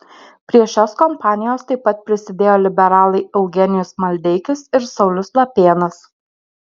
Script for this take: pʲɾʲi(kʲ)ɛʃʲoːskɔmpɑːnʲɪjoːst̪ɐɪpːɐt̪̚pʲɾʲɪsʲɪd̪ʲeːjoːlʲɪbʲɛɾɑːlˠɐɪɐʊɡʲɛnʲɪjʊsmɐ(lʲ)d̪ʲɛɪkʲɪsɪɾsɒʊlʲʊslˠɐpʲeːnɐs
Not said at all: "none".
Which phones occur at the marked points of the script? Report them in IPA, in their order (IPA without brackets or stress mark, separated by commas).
none, lʲ